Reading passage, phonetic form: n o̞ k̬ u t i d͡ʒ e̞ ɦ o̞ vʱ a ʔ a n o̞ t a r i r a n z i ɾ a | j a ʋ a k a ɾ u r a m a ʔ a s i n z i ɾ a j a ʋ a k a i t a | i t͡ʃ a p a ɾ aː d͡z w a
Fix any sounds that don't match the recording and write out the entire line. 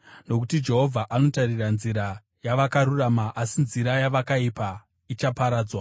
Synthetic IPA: n o̞ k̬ u t i d͡ʒ e̞ ɦ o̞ vʱ a ʔ a n o̞ t a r i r a n z i ɾ a | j a ʋ a k a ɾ u r a m a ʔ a s i n z i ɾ a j a ʋ a k a i p a | i t͡ʃ a p a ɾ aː d͡z w a